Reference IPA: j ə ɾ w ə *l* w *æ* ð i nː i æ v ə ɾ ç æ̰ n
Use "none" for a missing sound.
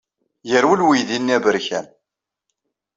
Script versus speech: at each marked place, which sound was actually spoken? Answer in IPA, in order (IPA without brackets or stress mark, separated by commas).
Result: l, i